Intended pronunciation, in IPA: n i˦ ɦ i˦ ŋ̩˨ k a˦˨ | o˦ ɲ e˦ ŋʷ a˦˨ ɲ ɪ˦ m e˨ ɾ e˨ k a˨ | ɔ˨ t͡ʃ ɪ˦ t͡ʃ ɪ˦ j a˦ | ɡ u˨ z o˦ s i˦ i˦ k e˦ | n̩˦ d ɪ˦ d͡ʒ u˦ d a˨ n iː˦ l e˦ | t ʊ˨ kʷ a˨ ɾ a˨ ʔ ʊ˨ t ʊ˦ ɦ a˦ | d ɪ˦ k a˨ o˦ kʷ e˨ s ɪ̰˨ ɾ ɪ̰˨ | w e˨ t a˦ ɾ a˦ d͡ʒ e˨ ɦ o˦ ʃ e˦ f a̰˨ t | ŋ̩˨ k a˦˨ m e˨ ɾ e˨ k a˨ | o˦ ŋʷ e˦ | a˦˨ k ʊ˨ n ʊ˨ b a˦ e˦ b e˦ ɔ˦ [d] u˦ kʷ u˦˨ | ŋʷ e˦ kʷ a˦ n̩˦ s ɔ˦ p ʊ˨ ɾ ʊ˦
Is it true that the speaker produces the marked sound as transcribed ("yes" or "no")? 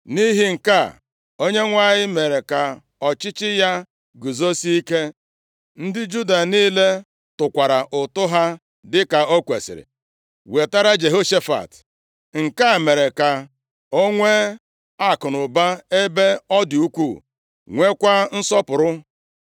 yes